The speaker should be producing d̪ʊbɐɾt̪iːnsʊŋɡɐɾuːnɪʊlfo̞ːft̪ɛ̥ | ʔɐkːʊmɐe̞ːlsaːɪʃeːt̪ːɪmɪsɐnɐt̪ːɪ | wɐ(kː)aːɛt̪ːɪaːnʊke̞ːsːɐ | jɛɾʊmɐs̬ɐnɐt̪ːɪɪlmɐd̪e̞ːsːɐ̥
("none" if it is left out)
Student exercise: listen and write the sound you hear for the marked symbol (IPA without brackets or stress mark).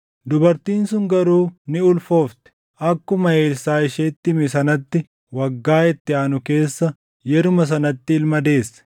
ɡː